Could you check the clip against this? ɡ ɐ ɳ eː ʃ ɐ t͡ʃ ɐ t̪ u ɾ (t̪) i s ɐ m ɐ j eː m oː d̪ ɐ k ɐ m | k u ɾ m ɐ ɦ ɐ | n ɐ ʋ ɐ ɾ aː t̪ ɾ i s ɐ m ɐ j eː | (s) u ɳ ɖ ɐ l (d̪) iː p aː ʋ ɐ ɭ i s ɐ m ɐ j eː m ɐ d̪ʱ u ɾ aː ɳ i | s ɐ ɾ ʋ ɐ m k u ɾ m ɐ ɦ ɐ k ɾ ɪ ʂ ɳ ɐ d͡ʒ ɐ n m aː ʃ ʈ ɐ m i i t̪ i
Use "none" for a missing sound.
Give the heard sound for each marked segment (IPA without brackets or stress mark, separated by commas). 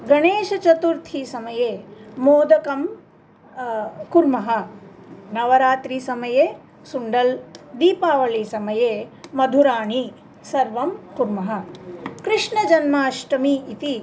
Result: t̪ʰ, s, d̪